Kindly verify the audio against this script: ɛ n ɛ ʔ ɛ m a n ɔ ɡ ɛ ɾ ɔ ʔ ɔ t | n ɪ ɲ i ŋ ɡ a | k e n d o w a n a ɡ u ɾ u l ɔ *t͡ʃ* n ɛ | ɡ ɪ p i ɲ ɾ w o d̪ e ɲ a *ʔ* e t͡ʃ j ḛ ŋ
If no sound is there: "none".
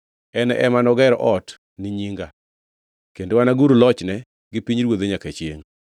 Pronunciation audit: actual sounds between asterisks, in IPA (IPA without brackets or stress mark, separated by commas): t͡ʃ, k